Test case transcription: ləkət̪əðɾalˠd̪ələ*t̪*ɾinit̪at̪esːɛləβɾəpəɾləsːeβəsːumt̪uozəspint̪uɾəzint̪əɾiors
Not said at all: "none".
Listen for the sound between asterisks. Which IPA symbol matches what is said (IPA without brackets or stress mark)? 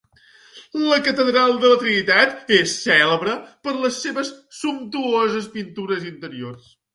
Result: t̪